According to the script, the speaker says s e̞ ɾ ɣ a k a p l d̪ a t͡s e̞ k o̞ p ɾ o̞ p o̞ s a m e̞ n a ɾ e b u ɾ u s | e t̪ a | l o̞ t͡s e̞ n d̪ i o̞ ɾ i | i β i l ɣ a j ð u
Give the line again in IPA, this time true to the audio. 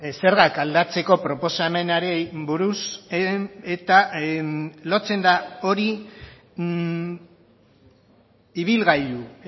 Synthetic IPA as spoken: s e̞ ɾ ɣ a k a l d̪ a t͡s e̞ k o̞ p ɾ o̞ p o̞ s a m e̞ n a ɾ e b u ɾ u s | e t̪ a | l o̞ t͡s e̞ n d̪ a o̞ ɾ i | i β i l ɣ a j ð u